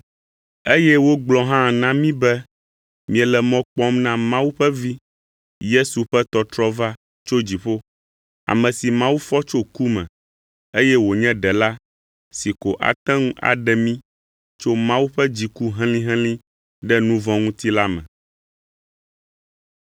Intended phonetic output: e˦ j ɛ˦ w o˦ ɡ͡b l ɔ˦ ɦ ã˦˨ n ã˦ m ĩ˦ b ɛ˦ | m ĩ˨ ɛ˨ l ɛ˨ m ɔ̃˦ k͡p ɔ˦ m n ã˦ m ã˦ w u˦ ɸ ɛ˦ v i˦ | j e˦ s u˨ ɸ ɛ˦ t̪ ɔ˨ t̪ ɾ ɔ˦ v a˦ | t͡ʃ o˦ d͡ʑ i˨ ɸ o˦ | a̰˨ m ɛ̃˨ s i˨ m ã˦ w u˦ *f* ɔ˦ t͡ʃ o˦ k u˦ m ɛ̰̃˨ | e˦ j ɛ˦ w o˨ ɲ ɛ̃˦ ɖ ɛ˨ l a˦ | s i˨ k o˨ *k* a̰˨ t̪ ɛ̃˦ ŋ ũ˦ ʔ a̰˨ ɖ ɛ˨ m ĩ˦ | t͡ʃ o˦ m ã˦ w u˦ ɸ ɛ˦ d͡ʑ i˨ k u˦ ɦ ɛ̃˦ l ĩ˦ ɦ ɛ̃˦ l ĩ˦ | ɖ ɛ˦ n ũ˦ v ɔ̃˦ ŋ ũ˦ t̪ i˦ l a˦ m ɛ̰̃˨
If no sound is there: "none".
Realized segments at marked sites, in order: f, ʔ

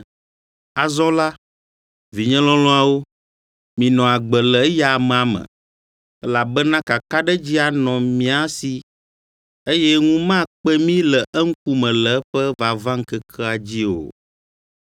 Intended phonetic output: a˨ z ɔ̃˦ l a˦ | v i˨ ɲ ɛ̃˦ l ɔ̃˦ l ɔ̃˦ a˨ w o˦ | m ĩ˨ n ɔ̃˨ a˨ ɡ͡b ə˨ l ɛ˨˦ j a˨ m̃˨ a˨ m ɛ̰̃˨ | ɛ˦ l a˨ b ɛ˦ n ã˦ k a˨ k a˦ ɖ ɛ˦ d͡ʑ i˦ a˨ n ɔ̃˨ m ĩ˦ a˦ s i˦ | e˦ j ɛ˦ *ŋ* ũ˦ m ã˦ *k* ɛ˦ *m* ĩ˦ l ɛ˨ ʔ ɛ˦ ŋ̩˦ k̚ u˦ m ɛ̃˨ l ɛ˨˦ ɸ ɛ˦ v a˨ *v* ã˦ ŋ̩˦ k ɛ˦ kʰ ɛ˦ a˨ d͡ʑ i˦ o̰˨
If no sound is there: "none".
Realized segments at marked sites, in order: ŋ, k͡p, m, v

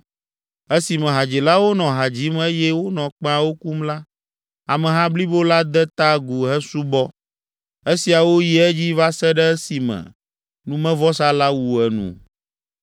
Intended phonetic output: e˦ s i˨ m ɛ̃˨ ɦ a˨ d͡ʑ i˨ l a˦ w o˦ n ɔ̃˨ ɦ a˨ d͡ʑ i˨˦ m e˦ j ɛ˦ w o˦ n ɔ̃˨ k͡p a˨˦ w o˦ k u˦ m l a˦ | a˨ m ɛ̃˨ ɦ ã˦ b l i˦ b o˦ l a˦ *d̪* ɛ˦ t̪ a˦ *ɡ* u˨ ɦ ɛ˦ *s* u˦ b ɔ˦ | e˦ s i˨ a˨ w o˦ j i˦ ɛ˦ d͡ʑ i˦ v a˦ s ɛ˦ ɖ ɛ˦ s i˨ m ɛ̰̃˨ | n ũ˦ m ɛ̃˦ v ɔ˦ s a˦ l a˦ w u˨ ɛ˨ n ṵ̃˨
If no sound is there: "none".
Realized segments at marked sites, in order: d̪, ɡ, s

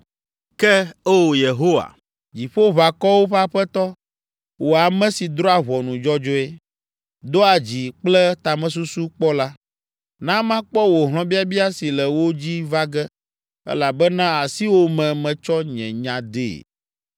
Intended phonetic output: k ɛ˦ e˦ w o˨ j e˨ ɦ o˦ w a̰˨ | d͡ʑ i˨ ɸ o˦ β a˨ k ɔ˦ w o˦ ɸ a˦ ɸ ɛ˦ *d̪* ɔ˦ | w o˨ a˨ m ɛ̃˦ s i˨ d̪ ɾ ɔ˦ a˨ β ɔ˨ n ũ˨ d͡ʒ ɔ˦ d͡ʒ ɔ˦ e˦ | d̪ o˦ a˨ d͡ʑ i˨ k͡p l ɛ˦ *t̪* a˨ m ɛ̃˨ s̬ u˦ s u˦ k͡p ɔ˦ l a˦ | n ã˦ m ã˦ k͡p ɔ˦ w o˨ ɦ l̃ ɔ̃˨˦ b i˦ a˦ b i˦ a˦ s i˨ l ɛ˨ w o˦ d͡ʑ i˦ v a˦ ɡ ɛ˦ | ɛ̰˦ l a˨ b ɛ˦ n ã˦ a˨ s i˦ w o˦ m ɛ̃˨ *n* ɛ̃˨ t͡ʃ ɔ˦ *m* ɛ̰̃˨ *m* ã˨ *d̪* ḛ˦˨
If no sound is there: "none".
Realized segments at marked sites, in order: t̪, t̪, m, ɲ, ɲ, d̪

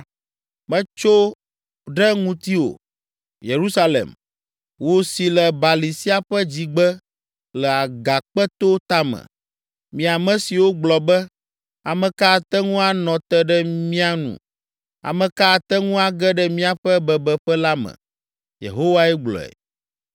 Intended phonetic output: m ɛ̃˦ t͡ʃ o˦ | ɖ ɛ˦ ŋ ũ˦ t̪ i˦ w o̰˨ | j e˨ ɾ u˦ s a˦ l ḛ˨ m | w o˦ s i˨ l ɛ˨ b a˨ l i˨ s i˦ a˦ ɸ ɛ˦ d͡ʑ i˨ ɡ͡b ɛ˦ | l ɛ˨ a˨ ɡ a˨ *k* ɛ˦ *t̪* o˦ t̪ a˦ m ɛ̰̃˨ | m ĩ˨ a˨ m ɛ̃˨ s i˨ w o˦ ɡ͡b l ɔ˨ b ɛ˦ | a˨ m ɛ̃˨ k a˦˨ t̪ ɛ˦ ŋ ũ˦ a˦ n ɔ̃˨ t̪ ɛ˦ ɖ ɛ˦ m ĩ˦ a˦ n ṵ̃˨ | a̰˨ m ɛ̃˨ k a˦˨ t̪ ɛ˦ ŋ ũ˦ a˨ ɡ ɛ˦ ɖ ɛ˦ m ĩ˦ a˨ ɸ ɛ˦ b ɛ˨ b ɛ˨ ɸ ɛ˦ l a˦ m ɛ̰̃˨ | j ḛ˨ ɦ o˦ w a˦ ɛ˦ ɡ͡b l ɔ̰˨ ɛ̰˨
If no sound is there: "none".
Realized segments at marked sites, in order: k͡p, t̪

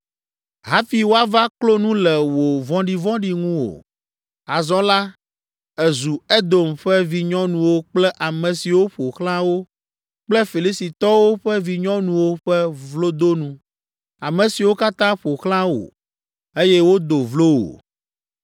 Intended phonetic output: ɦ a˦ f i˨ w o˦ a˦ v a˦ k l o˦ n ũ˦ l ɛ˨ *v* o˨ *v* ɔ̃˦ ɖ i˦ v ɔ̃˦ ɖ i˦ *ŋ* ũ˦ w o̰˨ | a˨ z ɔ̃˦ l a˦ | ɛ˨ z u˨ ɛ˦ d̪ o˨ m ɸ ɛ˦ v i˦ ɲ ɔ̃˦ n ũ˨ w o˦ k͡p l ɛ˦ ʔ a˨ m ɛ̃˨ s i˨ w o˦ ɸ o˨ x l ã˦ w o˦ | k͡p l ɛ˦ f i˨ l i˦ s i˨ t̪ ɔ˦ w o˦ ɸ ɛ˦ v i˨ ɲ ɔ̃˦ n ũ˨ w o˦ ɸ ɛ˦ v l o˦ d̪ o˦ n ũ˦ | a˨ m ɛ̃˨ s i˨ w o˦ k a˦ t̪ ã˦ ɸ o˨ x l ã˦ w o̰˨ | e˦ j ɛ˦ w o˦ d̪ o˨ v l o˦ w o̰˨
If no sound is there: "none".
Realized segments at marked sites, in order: w, v, ŋ

